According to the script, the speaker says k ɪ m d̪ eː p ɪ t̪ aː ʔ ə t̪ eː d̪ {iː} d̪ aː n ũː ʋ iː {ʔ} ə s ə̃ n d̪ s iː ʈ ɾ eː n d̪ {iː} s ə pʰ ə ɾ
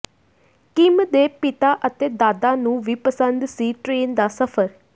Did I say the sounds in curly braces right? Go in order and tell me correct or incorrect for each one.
incorrect, incorrect, incorrect

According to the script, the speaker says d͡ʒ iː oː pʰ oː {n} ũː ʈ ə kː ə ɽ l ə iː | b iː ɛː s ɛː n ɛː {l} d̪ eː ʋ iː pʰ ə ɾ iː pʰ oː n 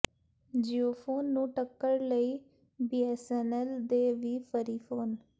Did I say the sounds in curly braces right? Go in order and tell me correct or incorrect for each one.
incorrect, correct

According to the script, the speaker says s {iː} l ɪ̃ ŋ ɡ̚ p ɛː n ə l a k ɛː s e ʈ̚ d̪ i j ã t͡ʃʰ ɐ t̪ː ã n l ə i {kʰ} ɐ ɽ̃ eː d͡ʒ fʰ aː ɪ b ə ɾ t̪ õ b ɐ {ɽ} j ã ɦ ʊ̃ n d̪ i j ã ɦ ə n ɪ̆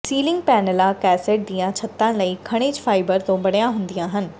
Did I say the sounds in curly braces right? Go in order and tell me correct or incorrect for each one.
correct, correct, correct

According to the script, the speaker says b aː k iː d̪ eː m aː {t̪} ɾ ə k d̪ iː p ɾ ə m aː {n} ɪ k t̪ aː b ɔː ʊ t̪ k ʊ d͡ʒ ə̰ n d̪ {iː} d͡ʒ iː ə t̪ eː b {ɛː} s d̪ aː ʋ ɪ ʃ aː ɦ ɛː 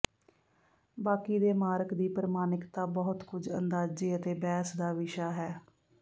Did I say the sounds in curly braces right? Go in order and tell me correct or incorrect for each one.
incorrect, correct, incorrect, correct

